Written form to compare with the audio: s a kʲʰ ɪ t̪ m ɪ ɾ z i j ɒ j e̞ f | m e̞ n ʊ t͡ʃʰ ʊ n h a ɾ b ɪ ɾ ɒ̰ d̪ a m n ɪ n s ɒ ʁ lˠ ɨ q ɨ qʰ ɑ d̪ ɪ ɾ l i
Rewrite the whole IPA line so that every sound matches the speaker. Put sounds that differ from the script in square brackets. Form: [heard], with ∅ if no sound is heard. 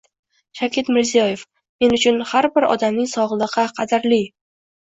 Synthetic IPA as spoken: [ʃ] a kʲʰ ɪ t̪ m ɪ ɾ z i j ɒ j e̞ f | m e̞ n ʊ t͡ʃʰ ʊ n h a ɾ b ɪ ɾ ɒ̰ d̪ a m n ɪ [ŋ] s ɒ ʁ lˠ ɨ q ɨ qʰ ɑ d̪ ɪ ɾ l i

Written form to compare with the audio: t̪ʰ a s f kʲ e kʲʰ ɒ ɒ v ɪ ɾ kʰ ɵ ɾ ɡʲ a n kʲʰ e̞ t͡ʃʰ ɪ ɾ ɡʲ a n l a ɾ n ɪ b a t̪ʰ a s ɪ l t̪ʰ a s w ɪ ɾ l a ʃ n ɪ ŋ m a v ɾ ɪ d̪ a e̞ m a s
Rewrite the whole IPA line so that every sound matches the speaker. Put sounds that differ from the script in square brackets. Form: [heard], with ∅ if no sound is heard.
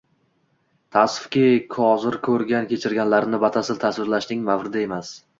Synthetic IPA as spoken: t̪ʰ a s f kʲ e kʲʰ ɒ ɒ [z] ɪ ɾ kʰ ɵ ɾ ɡʲ a n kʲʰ e̞ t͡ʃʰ ɪ ɾ ɡʲ a n l a ɾ n ɪ b a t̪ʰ a s ɪ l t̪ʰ a s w ɪ ɾ l a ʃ n ɪ ŋ m a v ɾ ɪ d̪ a e̞ m a s

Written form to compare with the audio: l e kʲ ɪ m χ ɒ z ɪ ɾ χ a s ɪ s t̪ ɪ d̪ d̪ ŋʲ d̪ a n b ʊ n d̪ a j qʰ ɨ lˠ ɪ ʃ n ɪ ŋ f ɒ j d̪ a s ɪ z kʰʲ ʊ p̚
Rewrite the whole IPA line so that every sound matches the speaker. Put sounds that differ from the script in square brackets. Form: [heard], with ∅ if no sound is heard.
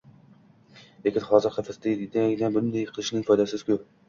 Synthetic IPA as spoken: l e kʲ ɪ [n] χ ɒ z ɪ ɾ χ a [f] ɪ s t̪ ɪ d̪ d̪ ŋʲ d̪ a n b ʊ n d̪ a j qʰ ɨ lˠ ɪ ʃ n ɪ ŋ f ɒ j d̪ a s ɪ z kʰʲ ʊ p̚

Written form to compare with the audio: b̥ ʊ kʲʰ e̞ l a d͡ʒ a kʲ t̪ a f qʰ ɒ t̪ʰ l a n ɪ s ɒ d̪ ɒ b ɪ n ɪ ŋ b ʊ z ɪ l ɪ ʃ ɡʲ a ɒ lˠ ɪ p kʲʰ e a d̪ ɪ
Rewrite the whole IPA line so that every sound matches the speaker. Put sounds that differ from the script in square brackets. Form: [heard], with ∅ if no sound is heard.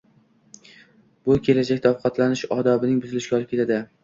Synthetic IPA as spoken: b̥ ʊ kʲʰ e̞ l a d͡ʒ a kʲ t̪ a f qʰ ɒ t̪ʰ l a n ɪ [ʃ] ɒ d̪ ɒ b ɪ n ɪ ŋ b ʊ z ɪ l ɪ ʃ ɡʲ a ɒ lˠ ɪ p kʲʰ e a d̪ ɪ

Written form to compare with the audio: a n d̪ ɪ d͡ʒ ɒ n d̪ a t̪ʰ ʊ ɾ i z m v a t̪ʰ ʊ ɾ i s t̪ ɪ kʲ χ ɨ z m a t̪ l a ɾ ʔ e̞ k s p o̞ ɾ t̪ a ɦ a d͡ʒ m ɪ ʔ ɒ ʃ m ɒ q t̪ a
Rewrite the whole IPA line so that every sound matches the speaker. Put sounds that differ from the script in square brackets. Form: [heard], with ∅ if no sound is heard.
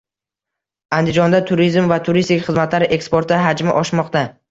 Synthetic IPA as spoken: a n d̪ ɪ d͡ʒ ɒ n d̪ a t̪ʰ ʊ ɾ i z m v a t̪ʰ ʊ ɾ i s t̪ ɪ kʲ χ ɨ z m a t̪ l a ɾ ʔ e̞ k s p o̞ ɾ t̪ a ɦ a d͡ʒ m ɪ ʔ ɒ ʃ m ɒ q t̪ a

